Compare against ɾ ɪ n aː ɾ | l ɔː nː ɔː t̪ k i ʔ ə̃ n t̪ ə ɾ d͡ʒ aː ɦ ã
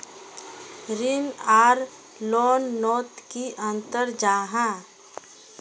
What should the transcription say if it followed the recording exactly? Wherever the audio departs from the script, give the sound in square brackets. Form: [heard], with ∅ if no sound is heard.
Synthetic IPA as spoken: ɾ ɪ n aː ɾ | l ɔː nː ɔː t̪ k i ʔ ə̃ n t̪ ə ɾ d͡ʒ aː ɦ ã